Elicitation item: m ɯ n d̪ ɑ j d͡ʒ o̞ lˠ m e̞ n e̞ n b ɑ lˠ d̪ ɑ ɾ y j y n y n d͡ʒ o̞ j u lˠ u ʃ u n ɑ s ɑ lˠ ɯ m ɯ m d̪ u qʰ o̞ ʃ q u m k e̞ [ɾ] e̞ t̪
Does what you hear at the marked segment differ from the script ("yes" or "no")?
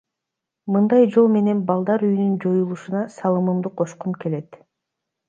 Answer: yes